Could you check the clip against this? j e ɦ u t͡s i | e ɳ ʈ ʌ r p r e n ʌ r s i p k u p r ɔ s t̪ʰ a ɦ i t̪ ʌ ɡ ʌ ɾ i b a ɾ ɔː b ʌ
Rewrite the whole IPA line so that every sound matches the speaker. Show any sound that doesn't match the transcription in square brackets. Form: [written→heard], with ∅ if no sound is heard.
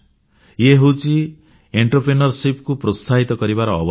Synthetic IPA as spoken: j e ɦ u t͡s i | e ɳ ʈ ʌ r p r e n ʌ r s i p k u p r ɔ s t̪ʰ a ɦ i t̪ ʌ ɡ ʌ ɾ i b a ɾ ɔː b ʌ

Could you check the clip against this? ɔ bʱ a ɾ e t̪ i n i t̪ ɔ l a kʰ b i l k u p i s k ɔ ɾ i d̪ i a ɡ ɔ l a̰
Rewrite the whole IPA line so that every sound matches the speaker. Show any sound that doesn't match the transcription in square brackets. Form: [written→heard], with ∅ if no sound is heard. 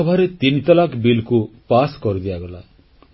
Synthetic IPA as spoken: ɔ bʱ a ɾ e t̪ i n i t̪ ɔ l a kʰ b i l k u p [i→a] s k ɔ ɾ i d̪ i a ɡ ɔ l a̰

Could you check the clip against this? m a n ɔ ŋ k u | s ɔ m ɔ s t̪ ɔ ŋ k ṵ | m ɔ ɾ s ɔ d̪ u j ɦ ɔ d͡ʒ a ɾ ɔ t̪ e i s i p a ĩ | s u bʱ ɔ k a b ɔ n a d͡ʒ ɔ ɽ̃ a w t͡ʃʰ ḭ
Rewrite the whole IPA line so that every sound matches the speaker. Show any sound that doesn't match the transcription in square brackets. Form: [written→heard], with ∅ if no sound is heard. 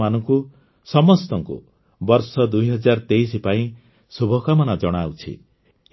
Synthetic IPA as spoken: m a n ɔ ŋ k u | s ɔ m ɔ s t̪ ɔ ŋ k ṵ | [m→b] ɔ ɾ s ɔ d̪ u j ɦ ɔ d͡ʒ a ɾ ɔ t̪ e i s i p a ĩ | s u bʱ ɔ k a [b→m] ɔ n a d͡ʒ ɔ ɽ̃ a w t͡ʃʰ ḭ

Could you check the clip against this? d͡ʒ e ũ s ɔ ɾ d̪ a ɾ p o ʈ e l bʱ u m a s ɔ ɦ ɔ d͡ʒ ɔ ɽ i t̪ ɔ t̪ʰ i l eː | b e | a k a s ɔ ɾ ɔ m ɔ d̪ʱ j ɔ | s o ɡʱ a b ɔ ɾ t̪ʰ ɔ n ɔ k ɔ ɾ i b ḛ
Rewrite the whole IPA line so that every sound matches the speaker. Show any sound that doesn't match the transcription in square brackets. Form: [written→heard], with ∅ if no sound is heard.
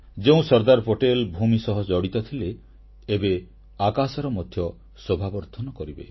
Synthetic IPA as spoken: d͡ʒ e ũ s ɔ ɾ d̪ a ɾ p o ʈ e l bʱ u m [a→i] s ɔ ɦ ɔ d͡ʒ ɔ ɽ i t̪ ɔ t̪ʰ i l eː | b e | a k a s ɔ ɾ ɔ m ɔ d̪ʱ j ɔ | s o [ɡʱ→bʱ] a b ɔ ɾ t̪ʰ ɔ n ɔ k ɔ ɾ i b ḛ

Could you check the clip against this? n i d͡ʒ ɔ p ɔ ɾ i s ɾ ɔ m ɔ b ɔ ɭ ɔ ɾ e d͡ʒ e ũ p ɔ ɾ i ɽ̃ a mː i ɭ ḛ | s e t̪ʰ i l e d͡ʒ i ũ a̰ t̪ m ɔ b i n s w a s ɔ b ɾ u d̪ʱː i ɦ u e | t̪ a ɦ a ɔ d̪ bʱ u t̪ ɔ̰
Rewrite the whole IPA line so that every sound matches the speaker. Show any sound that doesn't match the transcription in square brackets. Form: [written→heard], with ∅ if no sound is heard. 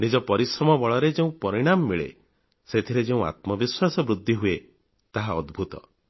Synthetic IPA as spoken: n i d͡ʒ ɔ p ɔ ɾ i s ɾ ɔ m ɔ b ɔ ɭ ɔ ɾ e d͡ʒ e ũ p ɔ ɾ i ɽ̃ a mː i ɭ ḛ | s e t̪ʰ i [l→ɾ] e d͡ʒ [i→e] ũ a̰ t̪ m ɔ b i [n→∅] s w a s ɔ b ɾ u d̪ʱː i ɦ u e | t̪ a ɦ a ɔ d̪ bʱ u t̪ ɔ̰

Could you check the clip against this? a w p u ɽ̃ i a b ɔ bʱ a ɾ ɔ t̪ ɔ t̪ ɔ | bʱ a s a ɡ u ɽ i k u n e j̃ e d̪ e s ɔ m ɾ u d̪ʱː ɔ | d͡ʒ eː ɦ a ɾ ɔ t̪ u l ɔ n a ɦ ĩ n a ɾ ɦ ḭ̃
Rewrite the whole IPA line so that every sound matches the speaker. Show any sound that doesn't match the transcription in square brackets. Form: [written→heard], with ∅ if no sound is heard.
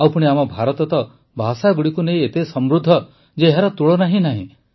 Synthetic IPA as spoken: a w p u ɽ̃ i a [b→m] ɔ bʱ a ɾ ɔ t̪ ɔ t̪ ɔ | bʱ a s a ɡ u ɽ i k u n e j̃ e [d̪→t̪] e s ɔ m ɾ u d̪ʱː ɔ | d͡ʒ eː ɦ a ɾ ɔ t̪ u [l→ɭ] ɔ n a ɦ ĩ n a [ɾ→∅] ɦ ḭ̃

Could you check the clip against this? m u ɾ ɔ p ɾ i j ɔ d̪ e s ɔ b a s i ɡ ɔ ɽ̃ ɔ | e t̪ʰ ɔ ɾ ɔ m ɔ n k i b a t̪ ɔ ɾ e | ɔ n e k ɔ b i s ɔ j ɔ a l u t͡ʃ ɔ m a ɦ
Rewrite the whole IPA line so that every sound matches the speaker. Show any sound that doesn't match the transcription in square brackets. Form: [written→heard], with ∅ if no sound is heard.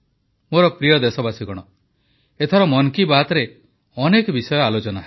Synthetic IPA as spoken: m [u→o] ɾ ɔ p ɾ i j ɔ d̪ e s ɔ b a s i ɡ ɔ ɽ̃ ɔ | e t̪ʰ ɔ ɾ ɔ m ɔ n k i b a t̪ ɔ ɾ e | ɔ n e k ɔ b i s ɔ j ɔ a l [u→o] t͡ʃ ɔ [m→n] a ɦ

